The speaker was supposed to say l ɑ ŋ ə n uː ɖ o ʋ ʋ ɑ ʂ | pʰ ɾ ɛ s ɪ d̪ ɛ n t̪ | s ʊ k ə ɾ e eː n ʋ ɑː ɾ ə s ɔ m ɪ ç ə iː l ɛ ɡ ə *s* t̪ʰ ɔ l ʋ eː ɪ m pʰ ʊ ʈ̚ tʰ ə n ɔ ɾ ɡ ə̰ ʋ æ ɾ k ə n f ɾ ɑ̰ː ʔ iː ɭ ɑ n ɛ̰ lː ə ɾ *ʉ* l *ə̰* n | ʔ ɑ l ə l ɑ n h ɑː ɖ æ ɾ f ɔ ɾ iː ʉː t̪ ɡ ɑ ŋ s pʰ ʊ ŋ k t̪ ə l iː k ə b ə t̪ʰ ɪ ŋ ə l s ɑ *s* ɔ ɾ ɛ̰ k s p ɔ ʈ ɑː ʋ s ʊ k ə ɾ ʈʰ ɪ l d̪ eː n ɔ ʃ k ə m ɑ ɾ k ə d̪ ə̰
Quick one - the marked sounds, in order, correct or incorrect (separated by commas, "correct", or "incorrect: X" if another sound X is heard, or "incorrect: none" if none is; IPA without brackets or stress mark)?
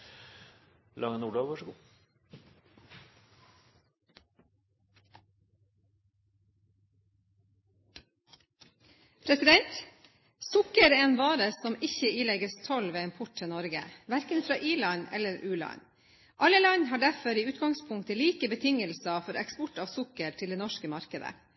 correct, incorrect: ʉː, incorrect: ɑ̰, incorrect: f